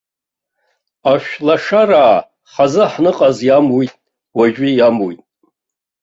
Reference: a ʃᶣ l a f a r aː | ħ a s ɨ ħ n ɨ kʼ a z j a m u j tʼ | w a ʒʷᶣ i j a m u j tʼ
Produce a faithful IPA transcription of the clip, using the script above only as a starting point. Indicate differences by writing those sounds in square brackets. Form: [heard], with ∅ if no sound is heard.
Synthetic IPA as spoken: a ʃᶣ l a [ʂ] a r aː | [χ] a [z] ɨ ħ n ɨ [qʼ] a z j a m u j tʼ | w a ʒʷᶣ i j a m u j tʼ